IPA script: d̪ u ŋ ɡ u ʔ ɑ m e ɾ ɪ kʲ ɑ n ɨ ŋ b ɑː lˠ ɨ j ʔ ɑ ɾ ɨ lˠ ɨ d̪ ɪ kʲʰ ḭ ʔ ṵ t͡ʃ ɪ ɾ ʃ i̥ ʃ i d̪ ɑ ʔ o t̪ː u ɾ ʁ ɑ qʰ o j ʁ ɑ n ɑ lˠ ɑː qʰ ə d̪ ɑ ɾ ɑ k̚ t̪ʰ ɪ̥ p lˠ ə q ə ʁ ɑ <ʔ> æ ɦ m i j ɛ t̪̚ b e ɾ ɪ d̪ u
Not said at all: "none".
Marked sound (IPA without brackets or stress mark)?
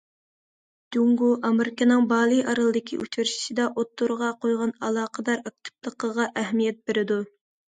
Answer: ʔ